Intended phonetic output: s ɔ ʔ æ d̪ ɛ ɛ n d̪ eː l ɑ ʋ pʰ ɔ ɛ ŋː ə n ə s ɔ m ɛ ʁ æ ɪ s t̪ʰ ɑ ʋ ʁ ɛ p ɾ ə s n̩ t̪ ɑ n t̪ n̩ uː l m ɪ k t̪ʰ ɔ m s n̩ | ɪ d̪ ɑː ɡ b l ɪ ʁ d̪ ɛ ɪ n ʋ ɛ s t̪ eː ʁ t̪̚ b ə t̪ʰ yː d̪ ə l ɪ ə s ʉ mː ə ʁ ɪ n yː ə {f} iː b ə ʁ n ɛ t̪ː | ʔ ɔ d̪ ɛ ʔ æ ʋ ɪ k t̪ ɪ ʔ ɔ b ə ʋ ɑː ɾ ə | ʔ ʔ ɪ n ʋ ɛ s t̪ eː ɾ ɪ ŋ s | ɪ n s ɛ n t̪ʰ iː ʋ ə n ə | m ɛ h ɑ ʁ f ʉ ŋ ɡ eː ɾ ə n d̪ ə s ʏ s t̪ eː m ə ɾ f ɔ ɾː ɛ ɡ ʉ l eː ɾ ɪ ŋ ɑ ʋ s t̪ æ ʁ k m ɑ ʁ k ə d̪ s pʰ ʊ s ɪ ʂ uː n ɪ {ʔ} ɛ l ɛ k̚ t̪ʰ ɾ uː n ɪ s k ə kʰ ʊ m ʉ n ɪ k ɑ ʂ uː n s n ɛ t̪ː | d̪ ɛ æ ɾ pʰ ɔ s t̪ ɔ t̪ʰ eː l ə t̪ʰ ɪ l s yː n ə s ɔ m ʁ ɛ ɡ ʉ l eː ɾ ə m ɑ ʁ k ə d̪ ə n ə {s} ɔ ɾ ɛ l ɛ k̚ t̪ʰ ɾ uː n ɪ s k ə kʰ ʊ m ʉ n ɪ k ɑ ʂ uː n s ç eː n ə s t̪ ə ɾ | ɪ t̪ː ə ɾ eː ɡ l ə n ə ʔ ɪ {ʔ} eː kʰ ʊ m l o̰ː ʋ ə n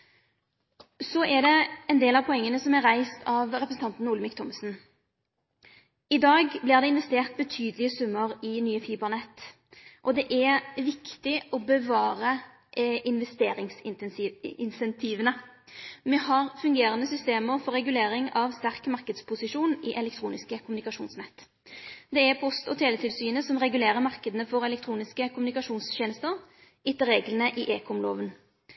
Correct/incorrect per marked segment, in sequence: correct, correct, incorrect: f, correct

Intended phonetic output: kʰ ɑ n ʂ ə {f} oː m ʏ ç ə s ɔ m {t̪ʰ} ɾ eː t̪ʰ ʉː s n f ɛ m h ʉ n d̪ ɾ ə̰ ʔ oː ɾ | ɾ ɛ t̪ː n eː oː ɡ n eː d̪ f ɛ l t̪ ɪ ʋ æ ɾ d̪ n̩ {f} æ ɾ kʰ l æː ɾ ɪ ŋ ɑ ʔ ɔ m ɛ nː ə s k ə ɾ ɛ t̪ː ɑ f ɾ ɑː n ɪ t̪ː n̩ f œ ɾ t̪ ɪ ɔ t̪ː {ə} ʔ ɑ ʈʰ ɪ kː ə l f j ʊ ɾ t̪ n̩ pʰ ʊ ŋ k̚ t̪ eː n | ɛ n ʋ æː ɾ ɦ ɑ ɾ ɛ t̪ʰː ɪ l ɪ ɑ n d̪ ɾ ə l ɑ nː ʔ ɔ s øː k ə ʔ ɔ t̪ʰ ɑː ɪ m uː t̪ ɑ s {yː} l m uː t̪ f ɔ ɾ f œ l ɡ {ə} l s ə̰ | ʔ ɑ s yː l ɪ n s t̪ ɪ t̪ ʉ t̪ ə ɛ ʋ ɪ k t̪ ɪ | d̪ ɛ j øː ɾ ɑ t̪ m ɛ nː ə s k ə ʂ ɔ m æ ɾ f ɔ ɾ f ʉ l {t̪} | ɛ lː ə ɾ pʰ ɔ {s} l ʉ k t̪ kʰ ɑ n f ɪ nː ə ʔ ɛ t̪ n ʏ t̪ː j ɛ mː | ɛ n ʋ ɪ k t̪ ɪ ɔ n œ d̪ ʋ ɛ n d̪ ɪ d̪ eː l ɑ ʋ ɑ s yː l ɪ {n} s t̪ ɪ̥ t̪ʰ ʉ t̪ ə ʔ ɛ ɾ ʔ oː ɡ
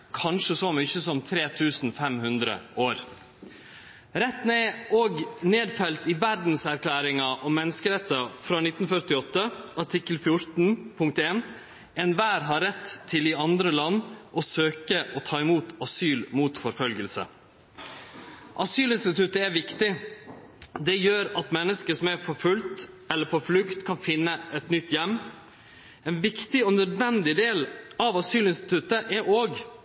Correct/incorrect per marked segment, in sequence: incorrect: s, correct, incorrect: s, correct, correct, correct, correct, incorrect: f, correct

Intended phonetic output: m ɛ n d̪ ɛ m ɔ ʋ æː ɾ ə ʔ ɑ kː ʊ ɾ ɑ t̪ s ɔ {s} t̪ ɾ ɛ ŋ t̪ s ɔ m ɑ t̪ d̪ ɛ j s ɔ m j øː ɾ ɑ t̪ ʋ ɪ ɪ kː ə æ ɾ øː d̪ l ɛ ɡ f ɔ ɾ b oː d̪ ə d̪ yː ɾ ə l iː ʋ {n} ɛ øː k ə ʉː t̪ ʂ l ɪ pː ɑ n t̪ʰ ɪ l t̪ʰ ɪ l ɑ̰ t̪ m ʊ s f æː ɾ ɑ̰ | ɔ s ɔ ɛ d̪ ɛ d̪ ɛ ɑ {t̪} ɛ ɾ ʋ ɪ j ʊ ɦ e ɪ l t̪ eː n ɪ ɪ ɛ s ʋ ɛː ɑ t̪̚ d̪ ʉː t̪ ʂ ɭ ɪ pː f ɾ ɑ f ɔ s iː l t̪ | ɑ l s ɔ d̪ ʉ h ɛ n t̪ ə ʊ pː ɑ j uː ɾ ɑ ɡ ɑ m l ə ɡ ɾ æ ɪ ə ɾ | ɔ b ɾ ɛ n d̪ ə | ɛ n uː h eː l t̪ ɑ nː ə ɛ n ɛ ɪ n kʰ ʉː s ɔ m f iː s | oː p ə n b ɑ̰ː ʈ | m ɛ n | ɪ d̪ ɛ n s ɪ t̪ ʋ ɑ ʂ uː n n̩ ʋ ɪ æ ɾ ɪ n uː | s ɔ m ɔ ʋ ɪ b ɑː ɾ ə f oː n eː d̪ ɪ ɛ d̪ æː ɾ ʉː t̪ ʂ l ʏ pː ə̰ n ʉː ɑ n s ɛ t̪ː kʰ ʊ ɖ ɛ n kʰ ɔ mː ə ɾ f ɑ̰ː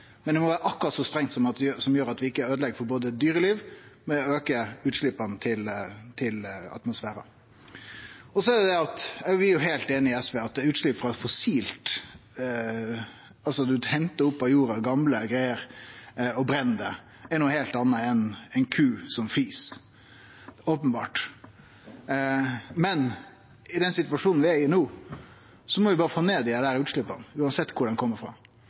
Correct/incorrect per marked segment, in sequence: correct, incorrect: m, correct

